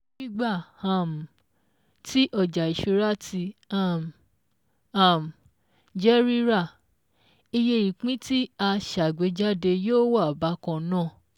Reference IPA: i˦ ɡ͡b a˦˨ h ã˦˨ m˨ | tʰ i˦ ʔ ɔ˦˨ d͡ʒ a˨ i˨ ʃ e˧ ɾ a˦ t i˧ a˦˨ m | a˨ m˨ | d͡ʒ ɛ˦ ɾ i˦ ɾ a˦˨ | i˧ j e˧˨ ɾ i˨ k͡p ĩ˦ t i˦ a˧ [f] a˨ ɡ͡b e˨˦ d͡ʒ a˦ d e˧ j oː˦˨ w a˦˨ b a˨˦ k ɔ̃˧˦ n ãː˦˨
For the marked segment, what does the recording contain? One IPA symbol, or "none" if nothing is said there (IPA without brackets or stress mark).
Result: ʃ